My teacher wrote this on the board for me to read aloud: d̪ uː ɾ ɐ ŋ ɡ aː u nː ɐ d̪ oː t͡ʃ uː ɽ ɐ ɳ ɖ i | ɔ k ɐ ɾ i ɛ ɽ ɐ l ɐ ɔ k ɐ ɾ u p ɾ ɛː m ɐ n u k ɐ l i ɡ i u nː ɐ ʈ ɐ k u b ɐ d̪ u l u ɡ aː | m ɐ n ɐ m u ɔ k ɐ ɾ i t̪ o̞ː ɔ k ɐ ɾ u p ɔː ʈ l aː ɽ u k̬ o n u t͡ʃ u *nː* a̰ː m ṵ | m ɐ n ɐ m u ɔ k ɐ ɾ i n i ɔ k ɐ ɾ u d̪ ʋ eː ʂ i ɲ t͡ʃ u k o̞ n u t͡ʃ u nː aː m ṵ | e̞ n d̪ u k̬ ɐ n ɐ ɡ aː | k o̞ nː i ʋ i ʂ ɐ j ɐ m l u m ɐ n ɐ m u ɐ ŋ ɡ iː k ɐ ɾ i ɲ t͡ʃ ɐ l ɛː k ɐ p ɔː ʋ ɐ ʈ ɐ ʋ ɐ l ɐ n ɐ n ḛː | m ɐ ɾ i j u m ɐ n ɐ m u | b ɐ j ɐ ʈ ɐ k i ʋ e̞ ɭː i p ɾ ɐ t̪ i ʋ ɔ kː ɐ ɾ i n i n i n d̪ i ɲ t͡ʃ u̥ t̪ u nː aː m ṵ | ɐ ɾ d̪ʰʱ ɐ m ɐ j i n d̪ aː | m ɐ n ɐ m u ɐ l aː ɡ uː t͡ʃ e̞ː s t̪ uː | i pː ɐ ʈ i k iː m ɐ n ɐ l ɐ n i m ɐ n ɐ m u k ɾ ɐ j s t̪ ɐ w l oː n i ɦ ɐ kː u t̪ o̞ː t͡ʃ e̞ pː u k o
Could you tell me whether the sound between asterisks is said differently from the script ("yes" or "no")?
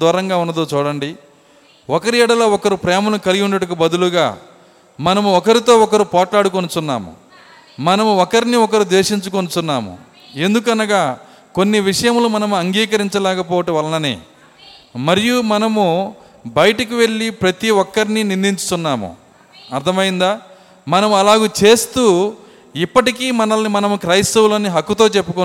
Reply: no